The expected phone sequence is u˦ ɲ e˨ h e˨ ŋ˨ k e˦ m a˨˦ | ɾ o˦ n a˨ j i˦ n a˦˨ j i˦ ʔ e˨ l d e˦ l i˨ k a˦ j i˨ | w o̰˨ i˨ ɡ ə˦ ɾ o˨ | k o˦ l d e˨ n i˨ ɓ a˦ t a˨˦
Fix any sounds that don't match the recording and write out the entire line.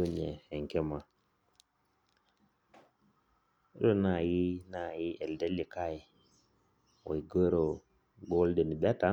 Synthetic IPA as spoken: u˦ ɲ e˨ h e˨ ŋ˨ k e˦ m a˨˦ | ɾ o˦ n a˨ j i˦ n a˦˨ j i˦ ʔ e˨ l d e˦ l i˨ k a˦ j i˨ | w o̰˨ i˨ ɡ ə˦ ɾ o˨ | ɡ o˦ l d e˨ n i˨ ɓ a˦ t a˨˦